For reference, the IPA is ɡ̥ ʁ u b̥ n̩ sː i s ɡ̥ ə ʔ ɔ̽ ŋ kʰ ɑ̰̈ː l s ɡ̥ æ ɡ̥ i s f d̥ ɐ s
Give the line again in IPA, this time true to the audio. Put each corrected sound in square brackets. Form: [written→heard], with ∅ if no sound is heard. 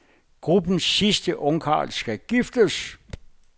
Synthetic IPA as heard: ɡ̥ ʁ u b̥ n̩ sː i s [ɡ̥→d̥] ə ʔ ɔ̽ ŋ kʰ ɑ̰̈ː l s ɡ̥ æ ɡ̥ i [s→∅] f d̥ [ɐ→ə] s